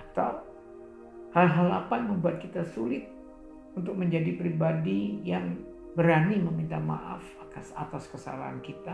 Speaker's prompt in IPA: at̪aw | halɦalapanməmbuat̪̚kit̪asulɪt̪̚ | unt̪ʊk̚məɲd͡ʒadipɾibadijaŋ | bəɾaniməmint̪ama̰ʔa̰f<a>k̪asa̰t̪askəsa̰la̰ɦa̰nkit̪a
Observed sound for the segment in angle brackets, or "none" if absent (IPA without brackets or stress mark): a